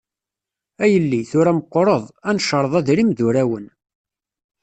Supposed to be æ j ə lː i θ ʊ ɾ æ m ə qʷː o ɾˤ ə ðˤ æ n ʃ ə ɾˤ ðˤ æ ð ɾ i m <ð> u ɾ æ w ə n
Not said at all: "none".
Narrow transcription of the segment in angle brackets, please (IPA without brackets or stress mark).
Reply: ð